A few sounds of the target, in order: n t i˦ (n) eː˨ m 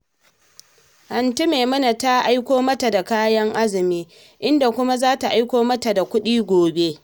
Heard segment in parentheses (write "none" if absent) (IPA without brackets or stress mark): m